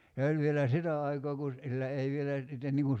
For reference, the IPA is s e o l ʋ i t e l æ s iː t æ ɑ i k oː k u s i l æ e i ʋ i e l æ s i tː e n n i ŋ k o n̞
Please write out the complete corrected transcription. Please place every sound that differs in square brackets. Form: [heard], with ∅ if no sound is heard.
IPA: s e o l ʋ i [∅] e l æ s [i] t æ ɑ i k oː k u s i [lː] æ e i ʋ i e l æ s i tː e n n i ŋ k [u] n̞

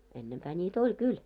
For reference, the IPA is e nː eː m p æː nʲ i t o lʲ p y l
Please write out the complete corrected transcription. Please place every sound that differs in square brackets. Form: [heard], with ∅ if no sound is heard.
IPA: e nː [e] m p æː nʲ [iː] t o lʲ [k] y l

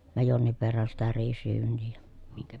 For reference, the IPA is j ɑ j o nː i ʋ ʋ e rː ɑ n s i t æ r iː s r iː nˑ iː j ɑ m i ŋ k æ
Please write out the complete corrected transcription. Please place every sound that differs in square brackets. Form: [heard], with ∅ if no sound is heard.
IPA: j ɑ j o nː i ʋ ʋ e rː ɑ n s i t æ r iː s r [yː] nˑ iː j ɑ m i ŋ k æ

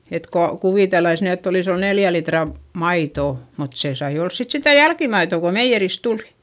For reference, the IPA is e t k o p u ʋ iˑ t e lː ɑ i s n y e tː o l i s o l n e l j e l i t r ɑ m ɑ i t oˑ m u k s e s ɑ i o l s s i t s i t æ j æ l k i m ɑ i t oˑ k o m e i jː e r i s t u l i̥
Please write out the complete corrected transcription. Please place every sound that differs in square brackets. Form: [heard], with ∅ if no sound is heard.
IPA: e t k o [k] u ʋ iˑ t e lː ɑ i s n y e tː o l i s o l n e l j [æ] l i t r ɑ m ɑ i t oˑ m u [t] s e s ɑ i o l s s i t s i t æ j æ l k i m ɑ i t oˑ k o m e i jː e r i s t u l i̥

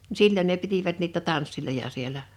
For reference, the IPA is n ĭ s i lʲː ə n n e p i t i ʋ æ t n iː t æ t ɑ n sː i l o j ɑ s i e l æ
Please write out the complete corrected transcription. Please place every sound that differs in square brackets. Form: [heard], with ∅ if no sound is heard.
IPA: n ĭ s i lʲː ə n n e p i t i ʋ æ t n iː t æ t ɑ n sː i l o j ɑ s i e l æ

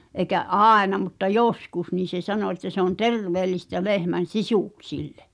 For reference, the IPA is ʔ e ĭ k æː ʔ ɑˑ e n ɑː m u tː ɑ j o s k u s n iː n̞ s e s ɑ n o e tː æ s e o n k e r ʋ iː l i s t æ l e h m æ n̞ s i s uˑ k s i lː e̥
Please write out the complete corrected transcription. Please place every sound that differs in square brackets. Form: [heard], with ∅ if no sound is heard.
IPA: ʔ e ĭ k [æ] ʔ ɑˑ e n [ɑ] m u tː ɑ j o s k u s n iː n̞ s e s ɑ n o e tː æ s e o n [t] e r ʋ [eː] l i s t æ l e h m æ n̞ s i s uˑ k s i lː e̥

